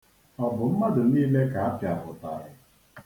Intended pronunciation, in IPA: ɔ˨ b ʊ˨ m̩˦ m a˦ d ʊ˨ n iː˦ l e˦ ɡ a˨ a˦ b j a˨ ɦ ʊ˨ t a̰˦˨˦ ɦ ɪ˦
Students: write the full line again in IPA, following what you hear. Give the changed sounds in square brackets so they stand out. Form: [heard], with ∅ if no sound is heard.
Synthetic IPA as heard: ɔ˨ b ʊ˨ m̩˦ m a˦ d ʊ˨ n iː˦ l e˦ [k] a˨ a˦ [p] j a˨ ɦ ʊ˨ t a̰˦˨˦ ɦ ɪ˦